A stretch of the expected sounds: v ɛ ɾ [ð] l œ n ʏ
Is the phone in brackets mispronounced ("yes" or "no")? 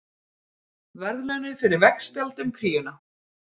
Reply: no